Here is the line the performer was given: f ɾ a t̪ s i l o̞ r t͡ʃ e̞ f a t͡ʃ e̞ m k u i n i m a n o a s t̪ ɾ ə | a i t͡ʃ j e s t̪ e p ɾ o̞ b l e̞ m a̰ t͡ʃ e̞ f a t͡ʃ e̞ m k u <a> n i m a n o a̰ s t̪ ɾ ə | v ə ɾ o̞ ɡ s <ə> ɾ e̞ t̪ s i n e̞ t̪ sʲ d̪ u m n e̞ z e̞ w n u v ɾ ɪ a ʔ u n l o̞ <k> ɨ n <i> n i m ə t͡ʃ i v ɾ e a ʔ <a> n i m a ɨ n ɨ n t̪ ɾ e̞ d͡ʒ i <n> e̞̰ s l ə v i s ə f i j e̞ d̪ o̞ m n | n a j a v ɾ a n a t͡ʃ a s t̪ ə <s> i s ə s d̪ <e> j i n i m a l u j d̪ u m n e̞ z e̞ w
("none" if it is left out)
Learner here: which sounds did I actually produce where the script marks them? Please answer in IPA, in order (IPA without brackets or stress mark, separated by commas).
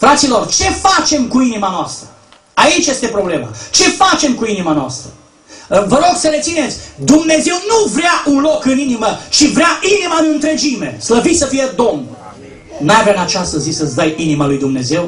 i, ə, k, i, i, m, z, a